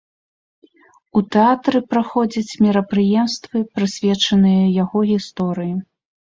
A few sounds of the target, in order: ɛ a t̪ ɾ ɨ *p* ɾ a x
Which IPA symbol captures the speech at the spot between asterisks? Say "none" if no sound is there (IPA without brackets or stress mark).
p